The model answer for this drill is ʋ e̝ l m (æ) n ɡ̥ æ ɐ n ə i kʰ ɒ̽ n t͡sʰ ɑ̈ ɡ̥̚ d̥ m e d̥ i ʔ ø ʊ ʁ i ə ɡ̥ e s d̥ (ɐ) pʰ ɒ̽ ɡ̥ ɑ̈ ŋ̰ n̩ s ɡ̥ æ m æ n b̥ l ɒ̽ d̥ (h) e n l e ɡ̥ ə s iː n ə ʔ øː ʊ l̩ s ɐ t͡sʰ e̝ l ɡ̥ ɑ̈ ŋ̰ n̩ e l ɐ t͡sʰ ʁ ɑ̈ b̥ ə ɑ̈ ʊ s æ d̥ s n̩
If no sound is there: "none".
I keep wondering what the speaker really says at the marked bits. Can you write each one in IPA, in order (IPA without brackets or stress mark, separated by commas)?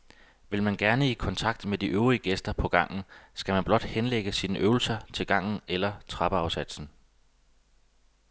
æ, ɐ, h